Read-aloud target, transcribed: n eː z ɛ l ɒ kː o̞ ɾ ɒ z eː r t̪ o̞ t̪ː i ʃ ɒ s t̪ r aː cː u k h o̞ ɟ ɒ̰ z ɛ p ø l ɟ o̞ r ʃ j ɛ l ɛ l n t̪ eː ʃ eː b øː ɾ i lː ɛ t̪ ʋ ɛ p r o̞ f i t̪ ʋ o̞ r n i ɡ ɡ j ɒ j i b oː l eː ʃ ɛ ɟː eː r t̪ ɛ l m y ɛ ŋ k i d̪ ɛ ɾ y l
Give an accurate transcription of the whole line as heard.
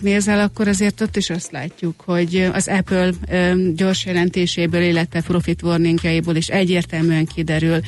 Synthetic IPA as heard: n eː z ɛ l ɒ kː o̞ ɾ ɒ z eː r t̪ o̞ t̪ː i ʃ ɒ s t̪ l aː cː u k h o̞ ɟ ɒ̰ z ɛ p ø l ɟ o̞ r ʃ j ɛ l ɛ n t̪ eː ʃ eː b øː l i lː ɛ t̪ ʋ ɛ p r o̞ f i t̪ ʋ o̞ r n i ŋ ɡ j ɒ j i b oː l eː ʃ ɛ ɟː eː r t̪ ɛ l m y ɛ ŋ k i d̪ ɛ ɾ y l